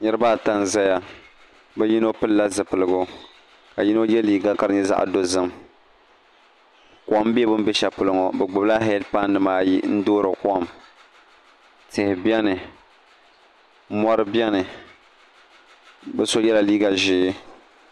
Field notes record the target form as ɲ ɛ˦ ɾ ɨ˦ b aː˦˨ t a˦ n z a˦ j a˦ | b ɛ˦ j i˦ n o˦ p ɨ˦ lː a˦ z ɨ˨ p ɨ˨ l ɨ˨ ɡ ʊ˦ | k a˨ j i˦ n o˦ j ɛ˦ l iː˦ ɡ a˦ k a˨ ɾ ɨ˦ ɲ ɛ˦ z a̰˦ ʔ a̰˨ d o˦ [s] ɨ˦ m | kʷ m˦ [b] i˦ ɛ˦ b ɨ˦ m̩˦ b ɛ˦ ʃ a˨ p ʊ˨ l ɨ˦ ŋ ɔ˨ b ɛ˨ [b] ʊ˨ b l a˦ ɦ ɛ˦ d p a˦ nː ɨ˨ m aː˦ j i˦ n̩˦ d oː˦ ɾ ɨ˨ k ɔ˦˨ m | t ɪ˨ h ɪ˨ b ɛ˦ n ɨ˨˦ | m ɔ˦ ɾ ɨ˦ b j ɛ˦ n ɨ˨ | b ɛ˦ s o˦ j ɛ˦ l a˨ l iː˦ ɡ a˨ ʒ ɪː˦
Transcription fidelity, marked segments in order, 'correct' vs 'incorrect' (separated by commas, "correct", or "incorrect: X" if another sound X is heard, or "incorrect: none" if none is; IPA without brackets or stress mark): incorrect: z, correct, incorrect: ɡ͡b